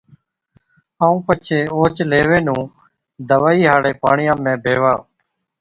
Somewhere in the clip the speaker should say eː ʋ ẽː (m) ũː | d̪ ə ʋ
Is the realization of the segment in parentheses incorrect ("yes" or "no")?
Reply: yes